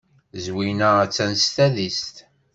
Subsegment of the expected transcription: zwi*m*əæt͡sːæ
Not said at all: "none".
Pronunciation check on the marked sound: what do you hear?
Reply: n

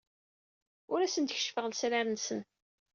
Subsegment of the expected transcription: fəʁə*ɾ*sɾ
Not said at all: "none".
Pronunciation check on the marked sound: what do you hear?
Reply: l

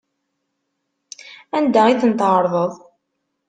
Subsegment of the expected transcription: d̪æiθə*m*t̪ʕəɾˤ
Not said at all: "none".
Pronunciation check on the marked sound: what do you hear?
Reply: n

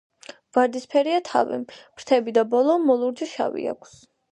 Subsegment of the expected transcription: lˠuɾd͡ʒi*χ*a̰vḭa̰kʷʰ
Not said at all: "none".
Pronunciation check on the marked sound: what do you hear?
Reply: ʃ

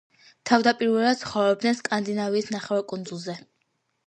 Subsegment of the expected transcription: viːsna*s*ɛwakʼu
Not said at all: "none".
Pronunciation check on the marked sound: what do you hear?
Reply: χ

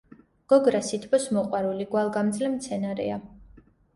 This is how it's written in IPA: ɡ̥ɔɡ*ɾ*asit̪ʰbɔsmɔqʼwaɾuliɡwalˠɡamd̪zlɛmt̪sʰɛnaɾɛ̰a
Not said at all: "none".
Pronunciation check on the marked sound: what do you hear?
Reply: ɾ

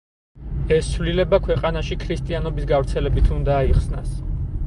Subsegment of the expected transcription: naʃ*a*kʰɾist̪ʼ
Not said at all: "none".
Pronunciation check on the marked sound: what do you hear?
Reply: i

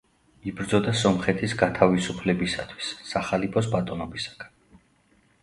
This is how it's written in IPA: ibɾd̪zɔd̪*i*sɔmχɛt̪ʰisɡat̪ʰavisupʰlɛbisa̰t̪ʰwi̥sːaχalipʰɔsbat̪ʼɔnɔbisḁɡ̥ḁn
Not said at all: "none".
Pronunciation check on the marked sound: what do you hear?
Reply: a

